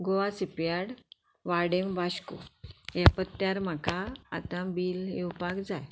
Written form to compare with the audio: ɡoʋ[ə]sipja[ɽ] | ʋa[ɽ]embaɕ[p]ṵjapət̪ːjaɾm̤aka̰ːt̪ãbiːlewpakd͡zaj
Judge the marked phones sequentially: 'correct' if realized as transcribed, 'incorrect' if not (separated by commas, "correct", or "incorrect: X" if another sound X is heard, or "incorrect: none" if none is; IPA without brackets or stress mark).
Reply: incorrect: a, correct, correct, incorrect: k